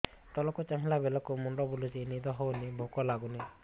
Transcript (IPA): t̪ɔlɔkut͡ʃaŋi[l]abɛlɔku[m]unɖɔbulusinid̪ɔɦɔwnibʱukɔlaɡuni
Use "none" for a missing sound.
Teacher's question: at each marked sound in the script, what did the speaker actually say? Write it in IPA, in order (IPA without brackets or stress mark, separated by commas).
l, m